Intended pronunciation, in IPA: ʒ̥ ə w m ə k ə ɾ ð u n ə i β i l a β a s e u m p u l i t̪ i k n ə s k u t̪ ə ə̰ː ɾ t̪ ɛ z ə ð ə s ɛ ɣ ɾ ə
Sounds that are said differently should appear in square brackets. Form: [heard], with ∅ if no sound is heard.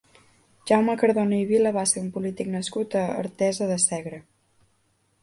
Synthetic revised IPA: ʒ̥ [a] w m ə k ə ɾ ð [o] n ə i β i l [ə] β a s e u m p u l i t̪ i k n ə s k u t̪ ə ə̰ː ɾ t̪ ɛ z ə ð ə s ɛ ɣ ɾ ə